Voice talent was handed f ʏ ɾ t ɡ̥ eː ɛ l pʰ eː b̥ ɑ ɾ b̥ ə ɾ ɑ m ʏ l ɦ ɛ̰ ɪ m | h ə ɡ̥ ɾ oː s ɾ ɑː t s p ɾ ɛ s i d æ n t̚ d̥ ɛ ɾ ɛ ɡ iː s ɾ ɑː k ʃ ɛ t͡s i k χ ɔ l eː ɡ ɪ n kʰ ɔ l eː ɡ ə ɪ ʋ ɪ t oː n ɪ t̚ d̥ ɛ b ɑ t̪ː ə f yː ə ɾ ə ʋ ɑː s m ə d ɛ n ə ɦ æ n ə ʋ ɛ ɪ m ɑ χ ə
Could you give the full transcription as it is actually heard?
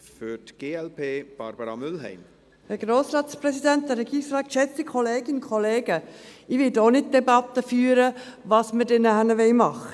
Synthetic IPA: f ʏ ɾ t ɡ̥ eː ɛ l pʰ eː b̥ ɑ ɾ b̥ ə ɾ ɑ m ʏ l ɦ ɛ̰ ɪ m | h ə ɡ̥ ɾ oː s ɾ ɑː t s p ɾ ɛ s i d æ n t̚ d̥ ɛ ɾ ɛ ɡ iː s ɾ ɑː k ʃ ɛ t͡s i k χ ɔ l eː ɡ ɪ n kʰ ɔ l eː ɡ ə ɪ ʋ ɪ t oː n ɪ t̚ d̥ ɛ b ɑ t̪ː ə f yː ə ɾ ə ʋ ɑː s m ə d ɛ n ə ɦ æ n ə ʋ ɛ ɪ m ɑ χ ə